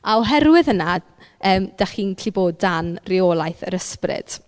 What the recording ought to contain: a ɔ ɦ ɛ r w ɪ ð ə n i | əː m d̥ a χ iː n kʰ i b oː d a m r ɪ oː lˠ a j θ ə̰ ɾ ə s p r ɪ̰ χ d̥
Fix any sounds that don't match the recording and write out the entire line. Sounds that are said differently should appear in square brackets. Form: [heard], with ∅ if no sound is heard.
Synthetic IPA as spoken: a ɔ ɦ ɛ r w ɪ ð ə n [a] | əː m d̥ a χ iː n kʰ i b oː d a [n] r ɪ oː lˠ a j θ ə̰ ɾ ə s p r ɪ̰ [∅] d̥